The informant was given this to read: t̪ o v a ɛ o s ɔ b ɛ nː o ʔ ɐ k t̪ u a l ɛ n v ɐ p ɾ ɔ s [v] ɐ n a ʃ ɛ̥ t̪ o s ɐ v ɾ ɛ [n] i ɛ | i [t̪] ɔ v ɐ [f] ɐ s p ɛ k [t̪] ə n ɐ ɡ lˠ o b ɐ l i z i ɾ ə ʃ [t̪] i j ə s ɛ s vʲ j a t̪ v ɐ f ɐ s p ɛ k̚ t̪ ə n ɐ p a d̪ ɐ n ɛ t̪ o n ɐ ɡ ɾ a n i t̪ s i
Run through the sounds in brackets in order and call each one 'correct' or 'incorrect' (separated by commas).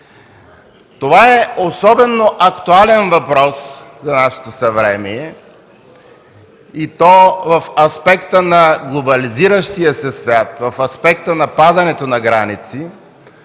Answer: incorrect, incorrect, correct, correct, correct, correct